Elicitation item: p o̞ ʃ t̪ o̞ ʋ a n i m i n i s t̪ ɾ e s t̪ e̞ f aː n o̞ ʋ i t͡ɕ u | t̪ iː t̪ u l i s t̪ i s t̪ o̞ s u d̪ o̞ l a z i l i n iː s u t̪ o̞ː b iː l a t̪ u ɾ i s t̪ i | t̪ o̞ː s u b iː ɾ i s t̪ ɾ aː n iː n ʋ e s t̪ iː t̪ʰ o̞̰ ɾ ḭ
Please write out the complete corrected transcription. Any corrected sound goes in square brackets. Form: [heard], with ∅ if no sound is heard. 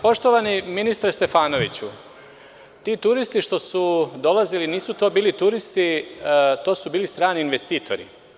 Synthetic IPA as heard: p o̞ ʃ t̪ o̞ ʋ a n i m i n i s t̪ ɾ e s t̪ e̞ f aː n o̞ ʋ i t͡ɕ u | t̪ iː t̪ u [ɾ] i s t̪ i [ʃ] t̪ o̞ s u d̪ o̞ l a z i l i n iː s u t̪ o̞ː b iː l [i] t̪ u ɾ i s t̪ i | t̪ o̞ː s u b iː [l] i s t̪ ɾ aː n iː n ʋ e s t̪ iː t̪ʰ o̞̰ ɾ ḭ